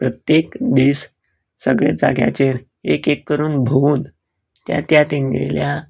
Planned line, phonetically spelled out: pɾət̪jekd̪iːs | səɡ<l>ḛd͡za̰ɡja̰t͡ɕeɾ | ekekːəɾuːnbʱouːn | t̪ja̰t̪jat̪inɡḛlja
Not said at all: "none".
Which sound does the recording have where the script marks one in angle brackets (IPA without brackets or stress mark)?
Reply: ɭ